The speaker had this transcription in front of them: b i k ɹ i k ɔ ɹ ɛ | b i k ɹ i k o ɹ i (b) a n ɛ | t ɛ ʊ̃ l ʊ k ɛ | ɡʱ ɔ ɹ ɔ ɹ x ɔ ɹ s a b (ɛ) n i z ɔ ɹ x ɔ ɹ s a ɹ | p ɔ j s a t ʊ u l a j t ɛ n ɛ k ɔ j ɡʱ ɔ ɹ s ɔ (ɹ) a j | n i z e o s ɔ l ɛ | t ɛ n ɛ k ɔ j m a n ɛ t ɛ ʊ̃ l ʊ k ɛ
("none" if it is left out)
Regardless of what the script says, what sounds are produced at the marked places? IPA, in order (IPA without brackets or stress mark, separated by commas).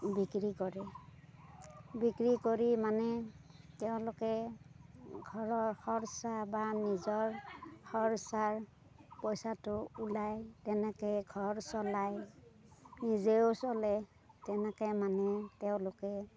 m, a, l